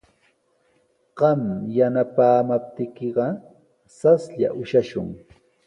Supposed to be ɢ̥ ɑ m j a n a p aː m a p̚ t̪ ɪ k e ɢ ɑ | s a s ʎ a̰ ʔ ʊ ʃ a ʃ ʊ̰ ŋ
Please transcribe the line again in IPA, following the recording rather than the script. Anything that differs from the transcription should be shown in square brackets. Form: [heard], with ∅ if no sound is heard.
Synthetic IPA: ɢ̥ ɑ m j a n a p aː m a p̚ t̪ ɪ k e ɢ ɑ | s a s ʎ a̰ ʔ ʊ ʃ a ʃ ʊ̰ ŋ